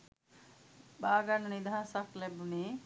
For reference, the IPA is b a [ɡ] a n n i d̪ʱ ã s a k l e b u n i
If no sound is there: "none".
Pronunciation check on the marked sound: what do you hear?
ɡ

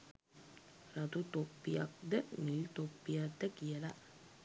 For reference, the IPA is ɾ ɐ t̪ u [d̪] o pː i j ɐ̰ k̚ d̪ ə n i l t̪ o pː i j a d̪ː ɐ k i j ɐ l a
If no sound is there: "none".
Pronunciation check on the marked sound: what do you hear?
t̪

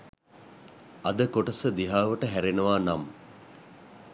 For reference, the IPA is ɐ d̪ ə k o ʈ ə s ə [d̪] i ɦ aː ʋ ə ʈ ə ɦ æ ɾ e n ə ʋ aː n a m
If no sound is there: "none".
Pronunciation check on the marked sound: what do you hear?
d̪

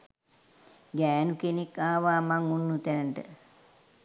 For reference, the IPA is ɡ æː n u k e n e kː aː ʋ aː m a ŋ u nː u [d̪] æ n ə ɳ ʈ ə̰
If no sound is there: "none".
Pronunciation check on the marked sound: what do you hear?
t̪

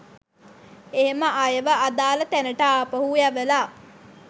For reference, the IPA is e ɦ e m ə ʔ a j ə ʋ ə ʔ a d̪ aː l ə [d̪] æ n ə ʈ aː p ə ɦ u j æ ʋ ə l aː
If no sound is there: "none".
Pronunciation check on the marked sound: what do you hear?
t̪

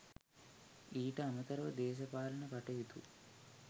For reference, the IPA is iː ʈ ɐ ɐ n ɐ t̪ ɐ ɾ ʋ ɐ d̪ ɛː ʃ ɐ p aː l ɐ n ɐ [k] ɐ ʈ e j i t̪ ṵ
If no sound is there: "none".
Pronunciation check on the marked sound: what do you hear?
p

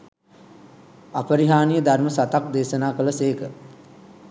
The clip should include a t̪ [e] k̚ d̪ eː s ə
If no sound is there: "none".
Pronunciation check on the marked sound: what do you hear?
a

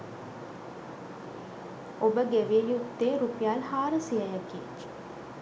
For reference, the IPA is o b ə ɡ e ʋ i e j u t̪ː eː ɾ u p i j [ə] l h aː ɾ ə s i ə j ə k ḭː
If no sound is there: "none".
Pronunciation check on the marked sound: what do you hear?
a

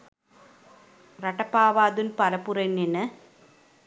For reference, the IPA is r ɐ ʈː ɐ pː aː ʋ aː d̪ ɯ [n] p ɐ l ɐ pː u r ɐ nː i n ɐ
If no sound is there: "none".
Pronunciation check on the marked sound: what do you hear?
n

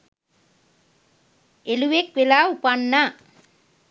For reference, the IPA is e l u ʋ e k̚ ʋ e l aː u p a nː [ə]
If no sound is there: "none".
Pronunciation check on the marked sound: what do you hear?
a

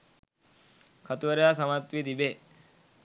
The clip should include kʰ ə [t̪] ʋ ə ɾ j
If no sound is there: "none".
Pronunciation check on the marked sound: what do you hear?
t̪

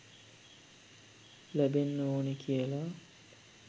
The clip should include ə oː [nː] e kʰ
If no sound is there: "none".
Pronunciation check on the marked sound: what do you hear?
n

